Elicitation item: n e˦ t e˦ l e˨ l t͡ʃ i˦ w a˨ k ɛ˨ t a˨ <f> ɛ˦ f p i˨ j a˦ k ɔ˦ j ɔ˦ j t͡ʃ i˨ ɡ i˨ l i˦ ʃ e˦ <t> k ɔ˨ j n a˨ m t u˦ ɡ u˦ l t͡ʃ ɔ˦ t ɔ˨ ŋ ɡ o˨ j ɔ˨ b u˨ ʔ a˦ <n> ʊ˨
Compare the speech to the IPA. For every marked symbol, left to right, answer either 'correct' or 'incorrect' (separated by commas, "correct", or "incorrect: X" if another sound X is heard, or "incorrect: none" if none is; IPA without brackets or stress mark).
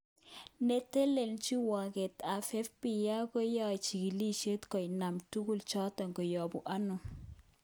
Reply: correct, correct, correct